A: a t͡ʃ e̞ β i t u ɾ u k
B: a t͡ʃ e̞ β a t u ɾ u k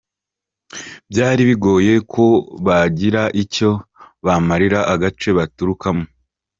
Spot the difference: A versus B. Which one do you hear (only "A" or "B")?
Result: B